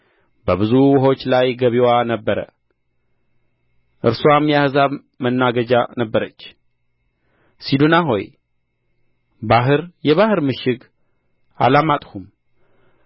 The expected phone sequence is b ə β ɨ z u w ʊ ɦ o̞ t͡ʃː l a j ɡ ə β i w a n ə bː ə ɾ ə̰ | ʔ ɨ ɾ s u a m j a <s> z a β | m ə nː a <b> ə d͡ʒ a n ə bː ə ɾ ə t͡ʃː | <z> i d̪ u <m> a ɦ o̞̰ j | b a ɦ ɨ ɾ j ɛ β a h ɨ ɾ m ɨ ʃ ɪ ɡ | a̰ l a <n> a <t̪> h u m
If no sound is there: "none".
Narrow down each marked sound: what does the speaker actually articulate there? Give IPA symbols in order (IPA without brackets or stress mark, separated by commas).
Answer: h, ɡ, s, n, m, t̪ʼ